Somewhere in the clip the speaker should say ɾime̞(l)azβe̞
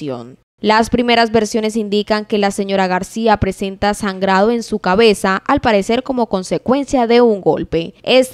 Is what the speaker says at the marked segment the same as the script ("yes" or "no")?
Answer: no